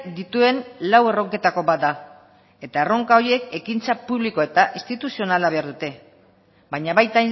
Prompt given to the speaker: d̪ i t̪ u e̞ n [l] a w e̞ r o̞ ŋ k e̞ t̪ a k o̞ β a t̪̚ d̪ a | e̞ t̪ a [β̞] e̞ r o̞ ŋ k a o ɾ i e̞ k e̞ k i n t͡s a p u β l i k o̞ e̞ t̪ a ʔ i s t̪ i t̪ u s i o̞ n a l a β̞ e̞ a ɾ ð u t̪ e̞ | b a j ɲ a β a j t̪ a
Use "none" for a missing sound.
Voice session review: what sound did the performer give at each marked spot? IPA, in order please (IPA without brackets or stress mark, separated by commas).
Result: l, none